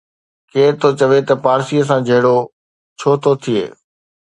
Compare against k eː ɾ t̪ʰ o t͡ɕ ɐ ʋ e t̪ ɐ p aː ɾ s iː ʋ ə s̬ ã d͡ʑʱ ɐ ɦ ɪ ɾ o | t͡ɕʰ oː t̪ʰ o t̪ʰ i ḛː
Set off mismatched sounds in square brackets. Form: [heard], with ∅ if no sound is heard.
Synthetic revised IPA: k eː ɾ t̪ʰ o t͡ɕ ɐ ʋ e t̪ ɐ p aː ɾ s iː [∅] ə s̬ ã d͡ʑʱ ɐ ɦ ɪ [ɽ] o | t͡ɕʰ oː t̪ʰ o t̪ʰ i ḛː